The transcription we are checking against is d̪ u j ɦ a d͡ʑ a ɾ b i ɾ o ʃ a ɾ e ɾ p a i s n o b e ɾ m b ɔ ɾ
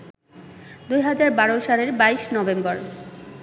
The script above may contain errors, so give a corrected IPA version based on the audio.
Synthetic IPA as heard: d̪ u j ɦ a d͡ʑ a ɾ b a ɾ o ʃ a l e ɾ b a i ʃ n ɔ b e m b ɔ ɾ